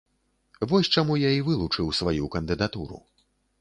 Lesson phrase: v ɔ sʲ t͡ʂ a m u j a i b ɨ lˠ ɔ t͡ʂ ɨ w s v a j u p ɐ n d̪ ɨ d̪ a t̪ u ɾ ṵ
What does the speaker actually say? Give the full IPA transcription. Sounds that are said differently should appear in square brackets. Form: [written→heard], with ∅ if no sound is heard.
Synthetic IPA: v ɔ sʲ t͡ʂ a m u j a i [b→v] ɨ lˠ [ɔ→u] t͡ʂ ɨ w s v a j u [p→k] ɐ n d̪ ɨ d̪ a t̪ u ɾ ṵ